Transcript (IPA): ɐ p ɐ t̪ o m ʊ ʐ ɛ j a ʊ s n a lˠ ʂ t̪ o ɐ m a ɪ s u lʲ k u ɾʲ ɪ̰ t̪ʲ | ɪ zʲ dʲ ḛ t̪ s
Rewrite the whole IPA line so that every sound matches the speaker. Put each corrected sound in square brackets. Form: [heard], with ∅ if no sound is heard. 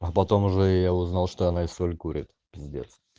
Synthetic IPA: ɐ p ɐ t̪ o m ʊ ʐ ɛ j a ʊ [z] n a lˠ ʂ t̪ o ɐ [n] a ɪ s [o] lʲ k u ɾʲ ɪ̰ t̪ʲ | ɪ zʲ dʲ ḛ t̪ s